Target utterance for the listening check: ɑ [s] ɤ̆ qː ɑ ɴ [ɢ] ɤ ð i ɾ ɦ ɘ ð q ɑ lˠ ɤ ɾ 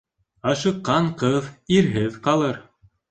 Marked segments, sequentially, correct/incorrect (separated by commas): incorrect, incorrect